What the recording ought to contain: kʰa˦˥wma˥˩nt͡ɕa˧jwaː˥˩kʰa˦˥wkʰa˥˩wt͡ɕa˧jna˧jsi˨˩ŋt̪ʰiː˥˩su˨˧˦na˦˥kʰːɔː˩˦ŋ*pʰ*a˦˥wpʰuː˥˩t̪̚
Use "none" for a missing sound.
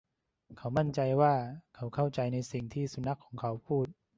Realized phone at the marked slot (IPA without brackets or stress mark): kʰ